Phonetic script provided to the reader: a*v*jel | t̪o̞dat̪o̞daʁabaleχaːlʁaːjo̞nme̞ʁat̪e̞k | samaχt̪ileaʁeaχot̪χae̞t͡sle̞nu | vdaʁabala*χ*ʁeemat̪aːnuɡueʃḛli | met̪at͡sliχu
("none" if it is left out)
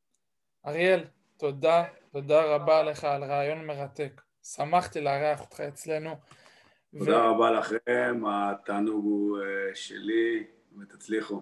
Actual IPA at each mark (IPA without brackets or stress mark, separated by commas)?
ʁ, χ